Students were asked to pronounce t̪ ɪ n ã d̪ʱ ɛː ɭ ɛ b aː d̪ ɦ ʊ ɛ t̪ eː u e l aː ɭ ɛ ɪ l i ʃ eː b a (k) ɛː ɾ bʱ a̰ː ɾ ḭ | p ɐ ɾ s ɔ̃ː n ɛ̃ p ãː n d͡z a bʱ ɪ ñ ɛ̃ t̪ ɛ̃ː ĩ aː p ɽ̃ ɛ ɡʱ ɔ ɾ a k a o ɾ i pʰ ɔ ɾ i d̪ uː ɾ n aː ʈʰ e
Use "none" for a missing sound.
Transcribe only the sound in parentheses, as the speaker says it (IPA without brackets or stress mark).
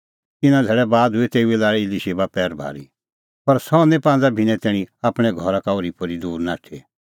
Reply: p